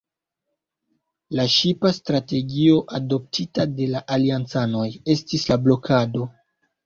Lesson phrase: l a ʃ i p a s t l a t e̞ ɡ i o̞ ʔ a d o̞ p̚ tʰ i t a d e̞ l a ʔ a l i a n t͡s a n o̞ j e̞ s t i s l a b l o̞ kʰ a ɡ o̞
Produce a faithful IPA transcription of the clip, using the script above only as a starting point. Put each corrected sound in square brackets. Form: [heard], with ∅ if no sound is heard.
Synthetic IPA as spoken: l a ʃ i p a s t [ɾ] a t e̞ ɡ i o̞ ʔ a d o̞ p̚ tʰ i t a d e̞ l a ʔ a l i a n t͡s a n o̞ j e̞ s t i s l a b l o̞ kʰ a [d] o̞